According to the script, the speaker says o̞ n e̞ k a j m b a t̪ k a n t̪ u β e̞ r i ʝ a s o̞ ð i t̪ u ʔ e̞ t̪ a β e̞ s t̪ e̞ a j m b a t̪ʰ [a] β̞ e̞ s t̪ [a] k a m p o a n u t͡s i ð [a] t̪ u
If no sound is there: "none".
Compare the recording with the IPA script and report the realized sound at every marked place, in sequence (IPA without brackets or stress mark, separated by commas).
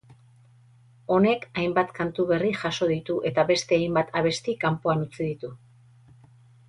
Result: a, i, i